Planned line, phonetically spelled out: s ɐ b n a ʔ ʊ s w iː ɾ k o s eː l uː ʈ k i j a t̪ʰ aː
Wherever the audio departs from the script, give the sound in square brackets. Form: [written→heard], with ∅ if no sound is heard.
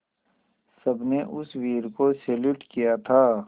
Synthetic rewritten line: s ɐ b n [a→e] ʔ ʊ s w iː ɾ k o s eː l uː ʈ k i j a t̪ʰ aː

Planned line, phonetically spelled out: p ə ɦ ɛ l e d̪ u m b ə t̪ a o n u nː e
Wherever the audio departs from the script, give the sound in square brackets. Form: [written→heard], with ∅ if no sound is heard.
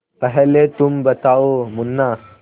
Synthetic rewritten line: p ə ɦ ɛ l e [d̪→t̪] u m b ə t̪ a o [n→m] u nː [e→a]

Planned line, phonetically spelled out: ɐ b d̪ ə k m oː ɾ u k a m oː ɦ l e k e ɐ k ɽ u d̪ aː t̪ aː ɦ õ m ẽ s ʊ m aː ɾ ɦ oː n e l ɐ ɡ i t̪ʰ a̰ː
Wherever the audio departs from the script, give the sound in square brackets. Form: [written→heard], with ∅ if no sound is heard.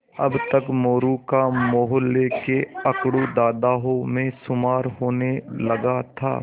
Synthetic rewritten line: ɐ b [d̪→t̪] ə k m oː ɾ u k a m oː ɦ l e k e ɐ k ɽ u d̪ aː [t̪→d̪] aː ɦ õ m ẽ s ʊ m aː ɾ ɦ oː n e l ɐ ɡ [i→a] t̪ʰ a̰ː

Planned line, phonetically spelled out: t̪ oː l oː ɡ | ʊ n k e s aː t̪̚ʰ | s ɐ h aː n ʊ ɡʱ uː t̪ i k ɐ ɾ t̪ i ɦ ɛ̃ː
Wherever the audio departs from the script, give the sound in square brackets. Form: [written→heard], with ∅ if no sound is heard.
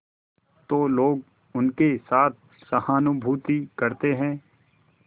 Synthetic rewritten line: t̪ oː l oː ɡ | ʊ n k e s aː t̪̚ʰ | s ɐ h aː n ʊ [ɡʱ→bʱ] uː t̪ i k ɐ ɾ t̪ [i→e] ɦ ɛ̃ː

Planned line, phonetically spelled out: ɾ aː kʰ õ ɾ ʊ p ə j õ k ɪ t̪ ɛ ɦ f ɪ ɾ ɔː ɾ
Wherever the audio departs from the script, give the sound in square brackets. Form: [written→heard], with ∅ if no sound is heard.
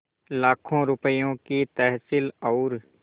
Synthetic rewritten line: [ɾ→l] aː kʰ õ ɾ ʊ p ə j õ k [ɪ→i] t̪ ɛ ɦ [f→s] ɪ [ɾ→l] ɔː ɾ

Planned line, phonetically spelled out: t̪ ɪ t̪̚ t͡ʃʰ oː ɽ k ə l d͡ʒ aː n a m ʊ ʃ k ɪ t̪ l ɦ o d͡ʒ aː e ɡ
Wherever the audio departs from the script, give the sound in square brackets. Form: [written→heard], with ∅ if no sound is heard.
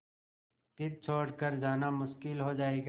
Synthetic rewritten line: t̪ ɪ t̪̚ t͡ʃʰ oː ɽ k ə [l→ɾ] d͡ʒ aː n a m ʊ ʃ k ɪ [t̪→∅] l ɦ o d͡ʒ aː e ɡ

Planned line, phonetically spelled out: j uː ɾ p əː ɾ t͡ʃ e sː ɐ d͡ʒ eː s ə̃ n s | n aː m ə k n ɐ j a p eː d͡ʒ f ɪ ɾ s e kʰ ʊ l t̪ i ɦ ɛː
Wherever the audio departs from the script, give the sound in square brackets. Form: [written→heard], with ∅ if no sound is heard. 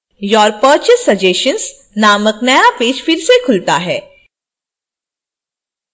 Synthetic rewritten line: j [uː→ɔː] ɾ p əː ɾ t͡ʃ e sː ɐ d͡ʒ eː [s→ʃ] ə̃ n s | n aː m ə k n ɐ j a p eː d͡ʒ f ɪ ɾ s e kʰ ʊ l t̪ [i→a] ɦ ɛː

